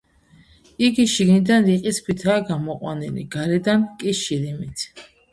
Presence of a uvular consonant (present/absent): present